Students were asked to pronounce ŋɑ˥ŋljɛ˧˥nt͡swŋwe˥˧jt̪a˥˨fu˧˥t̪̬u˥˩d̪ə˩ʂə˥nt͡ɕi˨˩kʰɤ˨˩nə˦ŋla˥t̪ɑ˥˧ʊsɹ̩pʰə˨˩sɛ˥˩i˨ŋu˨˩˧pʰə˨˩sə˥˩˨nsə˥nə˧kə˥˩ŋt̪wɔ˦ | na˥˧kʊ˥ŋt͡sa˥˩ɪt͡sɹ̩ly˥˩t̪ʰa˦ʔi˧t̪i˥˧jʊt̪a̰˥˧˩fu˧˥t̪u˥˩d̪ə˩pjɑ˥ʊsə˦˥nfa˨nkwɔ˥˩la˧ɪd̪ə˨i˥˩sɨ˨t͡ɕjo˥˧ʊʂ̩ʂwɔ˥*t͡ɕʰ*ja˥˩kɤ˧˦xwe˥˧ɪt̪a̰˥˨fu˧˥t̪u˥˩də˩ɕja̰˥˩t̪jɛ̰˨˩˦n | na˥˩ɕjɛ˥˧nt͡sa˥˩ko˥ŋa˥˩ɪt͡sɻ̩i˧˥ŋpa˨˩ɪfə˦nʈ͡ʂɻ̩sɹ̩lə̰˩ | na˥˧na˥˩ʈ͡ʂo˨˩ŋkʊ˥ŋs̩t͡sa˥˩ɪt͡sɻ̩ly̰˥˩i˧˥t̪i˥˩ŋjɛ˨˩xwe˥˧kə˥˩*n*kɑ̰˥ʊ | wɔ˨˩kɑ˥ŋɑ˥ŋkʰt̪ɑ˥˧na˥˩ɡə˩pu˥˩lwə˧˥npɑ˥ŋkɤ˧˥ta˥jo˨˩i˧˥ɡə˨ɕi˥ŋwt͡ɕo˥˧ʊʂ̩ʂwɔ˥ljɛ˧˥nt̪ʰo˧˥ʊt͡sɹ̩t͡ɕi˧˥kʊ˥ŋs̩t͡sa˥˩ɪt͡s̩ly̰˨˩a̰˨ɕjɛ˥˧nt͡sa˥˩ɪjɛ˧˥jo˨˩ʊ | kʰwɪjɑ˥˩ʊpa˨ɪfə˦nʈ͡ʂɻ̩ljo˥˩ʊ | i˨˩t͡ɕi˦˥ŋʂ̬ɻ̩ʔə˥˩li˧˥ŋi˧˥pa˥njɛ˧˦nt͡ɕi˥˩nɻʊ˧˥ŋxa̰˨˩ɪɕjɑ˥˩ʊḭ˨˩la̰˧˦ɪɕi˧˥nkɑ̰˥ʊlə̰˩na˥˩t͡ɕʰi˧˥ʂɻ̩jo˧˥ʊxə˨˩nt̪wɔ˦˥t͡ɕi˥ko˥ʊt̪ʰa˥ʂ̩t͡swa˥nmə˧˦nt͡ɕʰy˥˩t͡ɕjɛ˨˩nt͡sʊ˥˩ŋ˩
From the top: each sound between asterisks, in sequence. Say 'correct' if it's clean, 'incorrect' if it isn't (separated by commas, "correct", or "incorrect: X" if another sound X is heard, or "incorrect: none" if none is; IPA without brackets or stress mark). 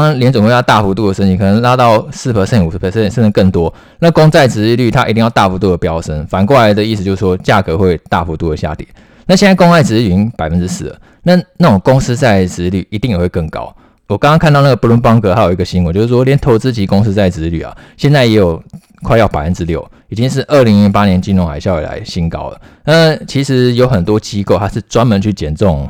incorrect: t͡ɕ, incorrect: ŋ